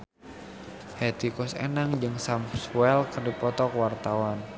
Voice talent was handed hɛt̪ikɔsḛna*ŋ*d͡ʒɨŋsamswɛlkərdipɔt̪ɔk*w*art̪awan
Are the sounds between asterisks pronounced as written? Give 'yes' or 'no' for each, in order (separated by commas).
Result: yes, yes